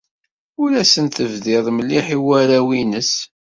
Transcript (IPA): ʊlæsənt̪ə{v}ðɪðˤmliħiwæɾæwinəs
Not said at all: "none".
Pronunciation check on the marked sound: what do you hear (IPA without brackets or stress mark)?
v